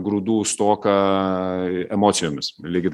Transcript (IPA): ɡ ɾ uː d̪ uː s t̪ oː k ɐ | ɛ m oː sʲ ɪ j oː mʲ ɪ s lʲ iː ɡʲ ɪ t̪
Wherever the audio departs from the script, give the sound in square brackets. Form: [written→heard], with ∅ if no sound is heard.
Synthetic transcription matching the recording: ɡ ɾ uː d̪ uː s t̪ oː k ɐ | ɛ m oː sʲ ɪ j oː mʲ ɪ s lʲ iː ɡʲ ɪ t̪

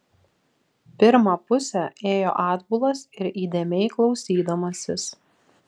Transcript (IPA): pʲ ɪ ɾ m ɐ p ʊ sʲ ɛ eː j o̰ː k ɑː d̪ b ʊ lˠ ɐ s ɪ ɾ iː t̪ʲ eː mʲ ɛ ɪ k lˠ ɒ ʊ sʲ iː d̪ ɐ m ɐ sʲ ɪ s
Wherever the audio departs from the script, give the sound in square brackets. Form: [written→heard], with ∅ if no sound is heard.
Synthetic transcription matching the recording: pʲ ɪ ɾ m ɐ p ʊ sʲ ɛ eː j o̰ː [k→ʔ] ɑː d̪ b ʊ lˠ ɐ s ɪ ɾ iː [t̪ʲ→d̪ʲ] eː mʲ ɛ ɪ k lˠ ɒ ʊ sʲ iː d̪ ɐ m ɐ sʲ ɪ s

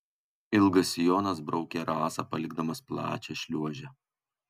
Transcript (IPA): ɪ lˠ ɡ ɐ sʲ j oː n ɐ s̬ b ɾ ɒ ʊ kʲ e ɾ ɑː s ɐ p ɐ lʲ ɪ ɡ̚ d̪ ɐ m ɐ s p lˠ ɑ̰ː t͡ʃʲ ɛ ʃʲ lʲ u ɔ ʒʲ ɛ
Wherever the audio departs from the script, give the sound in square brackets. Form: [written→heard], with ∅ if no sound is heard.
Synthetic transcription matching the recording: ɪ lˠ ɡ ɐ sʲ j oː n ɐ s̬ b ɾ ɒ ʊ kʲ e ɾ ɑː s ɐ p ɐ lʲ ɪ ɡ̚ d̪ ɐ m ɐ s p lˠ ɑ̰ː t͡ʃʲ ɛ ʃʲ lʲ u ɔ ʒʲ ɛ

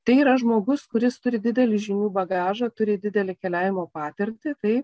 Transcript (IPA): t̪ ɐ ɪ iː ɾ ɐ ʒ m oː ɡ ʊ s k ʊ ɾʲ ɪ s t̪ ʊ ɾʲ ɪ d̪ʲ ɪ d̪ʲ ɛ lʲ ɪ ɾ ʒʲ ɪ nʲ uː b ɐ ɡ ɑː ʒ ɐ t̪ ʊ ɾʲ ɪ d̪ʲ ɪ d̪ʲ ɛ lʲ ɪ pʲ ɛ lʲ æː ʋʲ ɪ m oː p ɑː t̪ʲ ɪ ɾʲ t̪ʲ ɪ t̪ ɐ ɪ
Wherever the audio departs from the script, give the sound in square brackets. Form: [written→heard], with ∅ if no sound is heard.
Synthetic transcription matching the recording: t̪ ɐ ɪ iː ɾ ɐ ʒ m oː ɡ ʊ s k ʊ ɾʲ ɪ s t̪ ʊ ɾʲ ɪ d̪ʲ ɪ d̪ʲ ɛ lʲ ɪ [ɾ→∅] ʒʲ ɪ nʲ uː b ɐ ɡ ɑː ʒ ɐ t̪ ʊ ɾʲ ɪ d̪ʲ ɪ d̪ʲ ɛ lʲ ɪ [pʲ→kʲ] ɛ lʲ æː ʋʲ ɪ m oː p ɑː t̪ʲ ɪ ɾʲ t̪ʲ ɪ t̪ ɐ ɪ

